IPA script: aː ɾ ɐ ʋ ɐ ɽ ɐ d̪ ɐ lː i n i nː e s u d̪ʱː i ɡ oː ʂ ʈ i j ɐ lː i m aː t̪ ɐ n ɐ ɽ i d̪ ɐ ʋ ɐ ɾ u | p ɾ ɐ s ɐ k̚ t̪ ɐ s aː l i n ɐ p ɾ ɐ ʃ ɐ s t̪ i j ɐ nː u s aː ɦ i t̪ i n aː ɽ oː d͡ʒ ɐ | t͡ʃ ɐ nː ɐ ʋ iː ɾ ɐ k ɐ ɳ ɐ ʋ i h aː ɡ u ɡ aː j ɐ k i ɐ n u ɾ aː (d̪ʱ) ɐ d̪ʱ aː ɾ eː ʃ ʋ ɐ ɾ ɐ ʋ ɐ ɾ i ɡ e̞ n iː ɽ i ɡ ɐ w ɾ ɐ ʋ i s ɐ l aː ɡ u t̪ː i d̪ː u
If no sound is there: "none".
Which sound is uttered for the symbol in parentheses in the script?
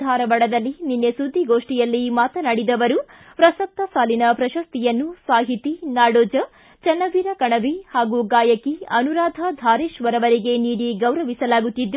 d̪ʱ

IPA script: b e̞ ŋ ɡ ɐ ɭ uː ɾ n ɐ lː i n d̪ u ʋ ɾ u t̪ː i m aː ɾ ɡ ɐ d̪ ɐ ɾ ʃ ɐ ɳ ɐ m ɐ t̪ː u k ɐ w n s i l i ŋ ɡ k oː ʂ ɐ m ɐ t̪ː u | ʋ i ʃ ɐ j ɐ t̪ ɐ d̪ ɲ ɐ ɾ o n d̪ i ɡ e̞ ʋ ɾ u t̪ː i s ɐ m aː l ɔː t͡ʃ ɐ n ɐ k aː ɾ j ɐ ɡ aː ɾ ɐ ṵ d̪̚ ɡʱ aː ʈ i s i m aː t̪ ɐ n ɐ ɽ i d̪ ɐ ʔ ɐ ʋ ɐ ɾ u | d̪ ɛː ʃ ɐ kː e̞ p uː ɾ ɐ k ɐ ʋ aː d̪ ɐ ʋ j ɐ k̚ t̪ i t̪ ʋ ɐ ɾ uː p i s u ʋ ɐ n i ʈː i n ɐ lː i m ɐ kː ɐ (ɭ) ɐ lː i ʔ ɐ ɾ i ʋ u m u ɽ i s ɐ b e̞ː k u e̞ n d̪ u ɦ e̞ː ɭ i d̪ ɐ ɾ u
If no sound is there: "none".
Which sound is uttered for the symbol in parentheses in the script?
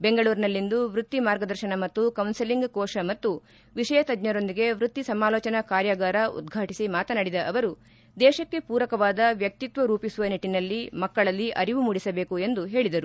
ɭ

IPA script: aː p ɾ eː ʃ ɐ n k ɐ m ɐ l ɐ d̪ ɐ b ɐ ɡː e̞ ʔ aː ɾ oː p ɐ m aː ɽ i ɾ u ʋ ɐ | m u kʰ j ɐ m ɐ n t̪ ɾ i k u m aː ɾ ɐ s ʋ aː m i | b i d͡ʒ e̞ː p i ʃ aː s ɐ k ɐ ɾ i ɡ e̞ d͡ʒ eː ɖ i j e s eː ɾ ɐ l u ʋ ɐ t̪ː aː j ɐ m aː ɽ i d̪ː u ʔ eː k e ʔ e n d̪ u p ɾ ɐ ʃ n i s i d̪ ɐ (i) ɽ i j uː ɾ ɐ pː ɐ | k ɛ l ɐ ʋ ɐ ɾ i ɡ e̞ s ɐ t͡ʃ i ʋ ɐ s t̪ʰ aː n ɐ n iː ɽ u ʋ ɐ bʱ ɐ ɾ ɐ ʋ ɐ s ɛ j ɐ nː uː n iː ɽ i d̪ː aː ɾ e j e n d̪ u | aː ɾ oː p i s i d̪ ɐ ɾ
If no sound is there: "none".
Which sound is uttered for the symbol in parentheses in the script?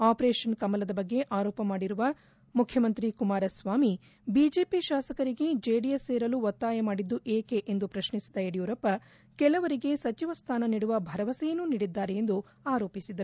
e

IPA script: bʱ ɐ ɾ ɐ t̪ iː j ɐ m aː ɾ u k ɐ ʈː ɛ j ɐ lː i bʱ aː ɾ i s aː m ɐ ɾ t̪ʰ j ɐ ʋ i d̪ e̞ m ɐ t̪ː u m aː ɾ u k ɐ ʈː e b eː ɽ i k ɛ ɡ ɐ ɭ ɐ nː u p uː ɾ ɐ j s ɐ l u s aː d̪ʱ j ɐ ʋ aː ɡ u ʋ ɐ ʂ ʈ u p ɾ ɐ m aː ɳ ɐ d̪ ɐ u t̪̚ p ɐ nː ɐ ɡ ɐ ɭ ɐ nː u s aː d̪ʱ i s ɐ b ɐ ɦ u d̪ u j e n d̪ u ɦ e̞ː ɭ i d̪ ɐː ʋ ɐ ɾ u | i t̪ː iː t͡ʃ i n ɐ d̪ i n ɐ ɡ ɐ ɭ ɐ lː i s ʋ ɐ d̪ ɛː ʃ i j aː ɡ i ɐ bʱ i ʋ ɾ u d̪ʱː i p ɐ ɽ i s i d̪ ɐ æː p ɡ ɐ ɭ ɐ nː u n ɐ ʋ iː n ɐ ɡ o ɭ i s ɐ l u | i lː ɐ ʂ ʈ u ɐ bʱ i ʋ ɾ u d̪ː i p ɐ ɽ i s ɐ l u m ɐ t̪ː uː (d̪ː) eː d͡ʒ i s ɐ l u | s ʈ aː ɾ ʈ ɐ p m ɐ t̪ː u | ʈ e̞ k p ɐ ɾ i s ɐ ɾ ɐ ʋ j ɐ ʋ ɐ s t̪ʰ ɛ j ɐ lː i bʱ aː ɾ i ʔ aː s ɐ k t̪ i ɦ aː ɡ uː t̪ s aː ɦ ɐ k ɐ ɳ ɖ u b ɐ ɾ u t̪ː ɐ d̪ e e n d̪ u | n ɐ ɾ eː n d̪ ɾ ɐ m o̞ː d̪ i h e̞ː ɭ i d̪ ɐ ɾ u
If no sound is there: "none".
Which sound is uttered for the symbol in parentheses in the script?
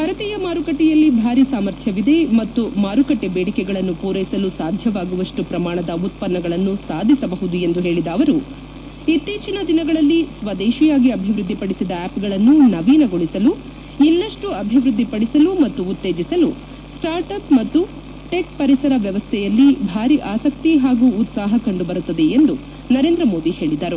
t̪ː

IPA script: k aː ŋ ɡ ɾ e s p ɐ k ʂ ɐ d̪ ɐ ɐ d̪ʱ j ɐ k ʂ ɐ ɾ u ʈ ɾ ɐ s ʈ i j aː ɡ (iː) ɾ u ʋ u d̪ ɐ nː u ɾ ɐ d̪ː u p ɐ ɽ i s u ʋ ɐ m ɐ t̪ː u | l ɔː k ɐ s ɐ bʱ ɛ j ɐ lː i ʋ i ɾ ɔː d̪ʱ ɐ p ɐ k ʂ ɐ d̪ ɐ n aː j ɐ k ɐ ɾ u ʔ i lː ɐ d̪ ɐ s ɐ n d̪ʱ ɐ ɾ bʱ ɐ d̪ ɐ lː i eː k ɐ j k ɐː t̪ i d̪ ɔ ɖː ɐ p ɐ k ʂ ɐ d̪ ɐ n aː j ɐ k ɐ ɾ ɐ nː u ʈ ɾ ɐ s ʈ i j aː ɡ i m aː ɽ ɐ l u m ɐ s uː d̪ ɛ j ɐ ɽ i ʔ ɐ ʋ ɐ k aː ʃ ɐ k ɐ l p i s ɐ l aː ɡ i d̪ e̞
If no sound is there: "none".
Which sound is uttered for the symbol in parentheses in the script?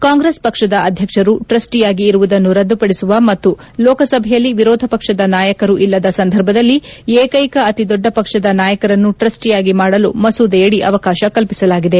iː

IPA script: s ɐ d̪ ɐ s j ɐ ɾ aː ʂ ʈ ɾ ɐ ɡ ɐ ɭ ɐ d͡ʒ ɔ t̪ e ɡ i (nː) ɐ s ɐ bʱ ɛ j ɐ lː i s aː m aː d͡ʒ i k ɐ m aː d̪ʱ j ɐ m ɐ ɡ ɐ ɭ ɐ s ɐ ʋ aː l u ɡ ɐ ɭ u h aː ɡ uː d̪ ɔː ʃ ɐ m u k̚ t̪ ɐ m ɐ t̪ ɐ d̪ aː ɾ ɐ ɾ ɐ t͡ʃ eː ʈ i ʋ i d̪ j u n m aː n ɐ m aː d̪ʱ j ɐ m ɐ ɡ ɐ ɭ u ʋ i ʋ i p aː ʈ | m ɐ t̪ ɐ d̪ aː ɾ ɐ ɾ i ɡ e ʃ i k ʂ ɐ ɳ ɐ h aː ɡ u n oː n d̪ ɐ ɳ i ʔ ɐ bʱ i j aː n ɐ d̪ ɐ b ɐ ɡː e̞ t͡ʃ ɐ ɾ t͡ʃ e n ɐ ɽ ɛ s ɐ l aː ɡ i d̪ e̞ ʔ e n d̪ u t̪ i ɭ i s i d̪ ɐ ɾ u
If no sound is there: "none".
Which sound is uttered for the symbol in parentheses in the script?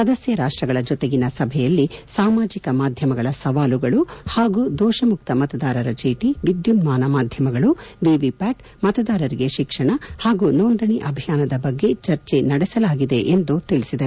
n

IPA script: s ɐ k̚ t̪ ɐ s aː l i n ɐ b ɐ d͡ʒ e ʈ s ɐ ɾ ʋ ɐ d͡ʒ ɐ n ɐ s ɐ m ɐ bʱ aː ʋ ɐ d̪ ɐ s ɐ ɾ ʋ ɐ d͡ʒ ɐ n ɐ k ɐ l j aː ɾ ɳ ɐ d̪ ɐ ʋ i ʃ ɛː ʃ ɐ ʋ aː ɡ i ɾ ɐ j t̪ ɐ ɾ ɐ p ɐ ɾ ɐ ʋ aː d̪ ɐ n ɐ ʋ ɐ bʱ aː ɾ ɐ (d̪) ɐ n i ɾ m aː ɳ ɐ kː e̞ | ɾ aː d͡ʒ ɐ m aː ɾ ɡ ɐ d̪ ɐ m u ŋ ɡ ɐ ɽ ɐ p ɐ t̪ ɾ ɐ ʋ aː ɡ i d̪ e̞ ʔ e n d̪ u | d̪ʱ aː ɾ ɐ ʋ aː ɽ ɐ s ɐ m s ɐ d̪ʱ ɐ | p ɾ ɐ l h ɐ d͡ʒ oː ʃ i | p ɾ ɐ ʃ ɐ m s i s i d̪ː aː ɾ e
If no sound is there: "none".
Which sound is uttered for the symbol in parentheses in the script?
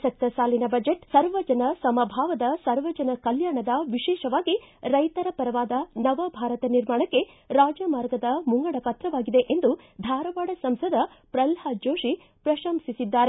t̪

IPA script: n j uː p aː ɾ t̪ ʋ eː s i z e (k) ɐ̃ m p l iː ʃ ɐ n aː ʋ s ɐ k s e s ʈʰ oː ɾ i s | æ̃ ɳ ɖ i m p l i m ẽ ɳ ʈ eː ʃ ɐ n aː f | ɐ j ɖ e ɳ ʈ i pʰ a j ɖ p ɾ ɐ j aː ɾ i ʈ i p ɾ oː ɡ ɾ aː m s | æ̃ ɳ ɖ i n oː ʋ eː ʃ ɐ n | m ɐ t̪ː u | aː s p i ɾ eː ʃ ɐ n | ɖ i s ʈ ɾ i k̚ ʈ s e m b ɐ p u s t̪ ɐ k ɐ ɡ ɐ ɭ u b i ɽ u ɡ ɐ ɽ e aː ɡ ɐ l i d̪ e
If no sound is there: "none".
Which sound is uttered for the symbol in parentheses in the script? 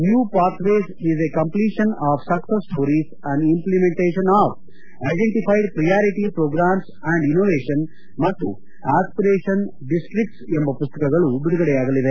k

